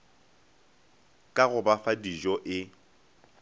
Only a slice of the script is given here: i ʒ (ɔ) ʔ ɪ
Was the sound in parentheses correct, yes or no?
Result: yes